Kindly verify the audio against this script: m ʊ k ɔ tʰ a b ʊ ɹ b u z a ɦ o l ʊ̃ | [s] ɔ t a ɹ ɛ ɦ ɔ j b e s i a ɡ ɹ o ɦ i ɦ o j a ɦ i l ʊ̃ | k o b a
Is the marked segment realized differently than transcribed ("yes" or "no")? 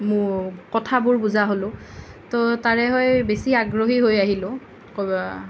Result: yes